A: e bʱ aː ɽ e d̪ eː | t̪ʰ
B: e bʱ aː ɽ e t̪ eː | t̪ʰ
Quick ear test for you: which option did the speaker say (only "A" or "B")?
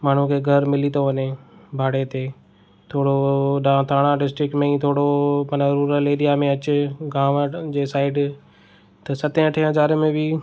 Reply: B